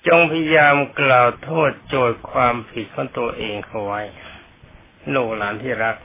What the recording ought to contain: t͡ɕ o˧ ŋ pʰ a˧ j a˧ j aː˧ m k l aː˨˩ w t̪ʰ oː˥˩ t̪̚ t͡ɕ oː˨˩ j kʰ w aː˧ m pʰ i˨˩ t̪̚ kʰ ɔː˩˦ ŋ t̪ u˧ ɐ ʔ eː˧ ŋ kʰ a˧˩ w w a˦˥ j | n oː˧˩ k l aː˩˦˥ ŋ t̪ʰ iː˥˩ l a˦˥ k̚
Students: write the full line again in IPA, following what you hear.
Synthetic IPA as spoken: t͡ɕ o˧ ŋ pʰ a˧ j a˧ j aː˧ m k l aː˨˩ w t̪ʰ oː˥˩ t̪̚ t͡ɕ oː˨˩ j kʰ w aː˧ m pʰ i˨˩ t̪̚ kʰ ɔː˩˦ ŋ t̪ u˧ ɐ ʔ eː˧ ŋ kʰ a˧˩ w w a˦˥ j | n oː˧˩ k l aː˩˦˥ n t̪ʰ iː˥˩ ɾ a˦˥ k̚